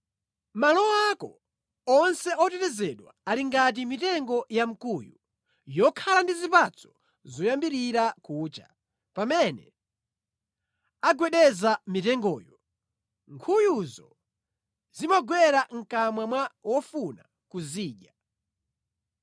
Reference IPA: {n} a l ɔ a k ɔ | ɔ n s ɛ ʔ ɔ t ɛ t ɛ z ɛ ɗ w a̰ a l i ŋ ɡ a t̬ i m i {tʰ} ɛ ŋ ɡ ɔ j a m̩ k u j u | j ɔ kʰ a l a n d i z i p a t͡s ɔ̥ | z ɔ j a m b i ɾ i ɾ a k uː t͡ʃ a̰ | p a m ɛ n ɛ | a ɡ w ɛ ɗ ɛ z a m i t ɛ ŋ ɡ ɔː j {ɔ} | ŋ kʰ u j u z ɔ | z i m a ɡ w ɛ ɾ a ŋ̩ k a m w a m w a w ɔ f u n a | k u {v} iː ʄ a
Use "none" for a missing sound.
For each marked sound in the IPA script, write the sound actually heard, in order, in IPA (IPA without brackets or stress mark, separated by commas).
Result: m, t, ɔ, z